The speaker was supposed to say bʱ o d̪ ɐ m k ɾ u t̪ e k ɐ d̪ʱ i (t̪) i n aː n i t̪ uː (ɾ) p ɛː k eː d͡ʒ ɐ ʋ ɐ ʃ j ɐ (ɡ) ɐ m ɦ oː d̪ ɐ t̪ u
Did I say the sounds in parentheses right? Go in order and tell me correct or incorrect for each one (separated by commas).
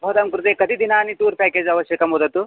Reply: incorrect, correct, incorrect